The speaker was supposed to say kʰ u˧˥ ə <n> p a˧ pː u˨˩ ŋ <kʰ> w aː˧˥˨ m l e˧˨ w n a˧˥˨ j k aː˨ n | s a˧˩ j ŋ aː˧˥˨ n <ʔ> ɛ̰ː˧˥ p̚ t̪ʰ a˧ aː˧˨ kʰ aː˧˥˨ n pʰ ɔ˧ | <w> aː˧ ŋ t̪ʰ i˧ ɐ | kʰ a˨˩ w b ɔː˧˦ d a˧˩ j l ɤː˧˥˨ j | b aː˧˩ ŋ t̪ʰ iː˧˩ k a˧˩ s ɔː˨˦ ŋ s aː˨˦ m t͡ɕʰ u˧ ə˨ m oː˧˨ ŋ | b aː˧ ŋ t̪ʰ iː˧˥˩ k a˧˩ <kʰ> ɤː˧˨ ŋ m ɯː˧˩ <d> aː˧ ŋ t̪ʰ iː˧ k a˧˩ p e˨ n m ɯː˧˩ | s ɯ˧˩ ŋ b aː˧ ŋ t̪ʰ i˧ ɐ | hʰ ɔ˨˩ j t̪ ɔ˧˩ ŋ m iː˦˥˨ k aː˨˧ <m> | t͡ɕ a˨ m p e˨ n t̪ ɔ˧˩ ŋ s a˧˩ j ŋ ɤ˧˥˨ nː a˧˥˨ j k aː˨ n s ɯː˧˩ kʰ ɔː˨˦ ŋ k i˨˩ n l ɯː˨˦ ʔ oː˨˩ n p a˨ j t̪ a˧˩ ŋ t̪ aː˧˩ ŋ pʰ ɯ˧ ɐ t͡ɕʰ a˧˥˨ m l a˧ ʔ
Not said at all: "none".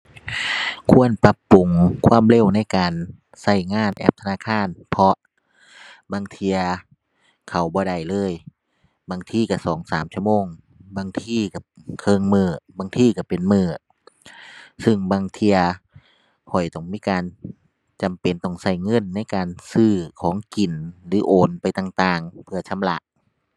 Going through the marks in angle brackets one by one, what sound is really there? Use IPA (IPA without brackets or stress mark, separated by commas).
n, kʰ, ʔ, b, kʰ, b, n